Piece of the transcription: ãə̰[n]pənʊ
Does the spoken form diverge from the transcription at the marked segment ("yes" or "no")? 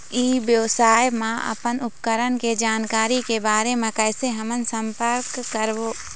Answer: yes